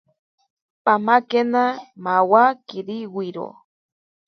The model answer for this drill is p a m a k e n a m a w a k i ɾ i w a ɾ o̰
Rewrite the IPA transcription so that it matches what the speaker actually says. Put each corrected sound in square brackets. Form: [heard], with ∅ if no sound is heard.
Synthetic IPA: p a m a k e n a m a w a k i ɾ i w [i] ɾ o̰